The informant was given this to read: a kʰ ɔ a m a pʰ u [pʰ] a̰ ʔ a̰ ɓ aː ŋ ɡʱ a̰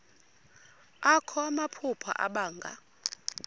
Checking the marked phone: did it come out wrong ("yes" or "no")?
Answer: no